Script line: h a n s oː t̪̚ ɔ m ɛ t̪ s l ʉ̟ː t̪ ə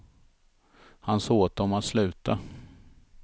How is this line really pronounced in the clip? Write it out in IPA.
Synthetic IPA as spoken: h a n s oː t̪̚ ɔ m a t̪ s l ʉ̟ː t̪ a